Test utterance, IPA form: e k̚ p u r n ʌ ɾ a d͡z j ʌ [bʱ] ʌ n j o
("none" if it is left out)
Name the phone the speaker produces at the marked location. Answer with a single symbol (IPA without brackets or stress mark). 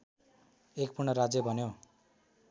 bʱ